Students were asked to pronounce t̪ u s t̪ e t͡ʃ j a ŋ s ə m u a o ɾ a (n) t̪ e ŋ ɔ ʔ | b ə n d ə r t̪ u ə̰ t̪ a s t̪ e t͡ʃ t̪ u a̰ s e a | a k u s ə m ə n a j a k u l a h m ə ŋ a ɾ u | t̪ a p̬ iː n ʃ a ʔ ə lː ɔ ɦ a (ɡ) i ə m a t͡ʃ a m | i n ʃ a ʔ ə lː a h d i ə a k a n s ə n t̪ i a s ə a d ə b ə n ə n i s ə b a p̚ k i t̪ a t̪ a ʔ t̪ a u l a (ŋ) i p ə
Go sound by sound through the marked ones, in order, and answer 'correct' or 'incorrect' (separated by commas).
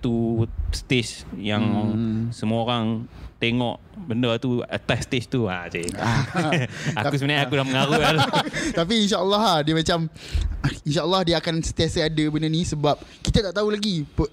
incorrect, incorrect, incorrect